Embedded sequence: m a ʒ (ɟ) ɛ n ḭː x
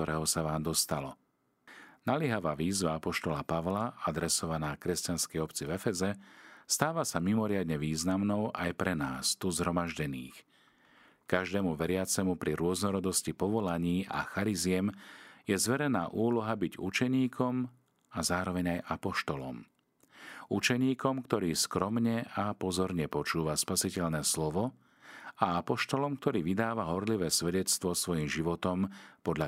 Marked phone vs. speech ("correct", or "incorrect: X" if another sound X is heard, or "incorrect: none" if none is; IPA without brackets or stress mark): correct